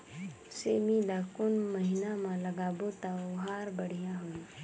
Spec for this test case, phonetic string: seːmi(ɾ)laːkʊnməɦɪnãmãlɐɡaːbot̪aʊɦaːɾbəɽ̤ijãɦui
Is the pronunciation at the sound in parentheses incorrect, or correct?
incorrect